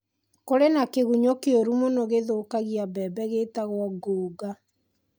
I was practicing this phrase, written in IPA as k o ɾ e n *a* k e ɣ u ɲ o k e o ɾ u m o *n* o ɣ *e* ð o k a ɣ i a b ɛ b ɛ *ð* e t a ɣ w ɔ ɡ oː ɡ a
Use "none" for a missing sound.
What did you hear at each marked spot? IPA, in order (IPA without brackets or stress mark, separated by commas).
a, n, e, ɣ